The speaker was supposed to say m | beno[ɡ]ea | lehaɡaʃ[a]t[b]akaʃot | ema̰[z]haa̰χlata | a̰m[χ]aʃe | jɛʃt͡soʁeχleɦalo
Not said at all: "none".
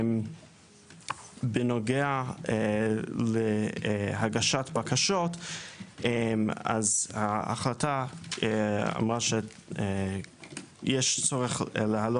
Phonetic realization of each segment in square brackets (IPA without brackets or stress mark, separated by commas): ɡ, a, b, z, ʁ